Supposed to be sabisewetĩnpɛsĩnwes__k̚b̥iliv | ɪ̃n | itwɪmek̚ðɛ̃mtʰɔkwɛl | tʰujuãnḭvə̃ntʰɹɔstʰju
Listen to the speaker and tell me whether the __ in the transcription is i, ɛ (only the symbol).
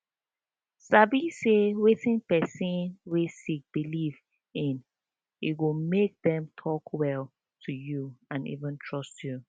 i